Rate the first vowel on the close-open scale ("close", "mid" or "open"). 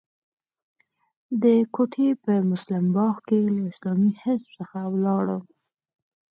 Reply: mid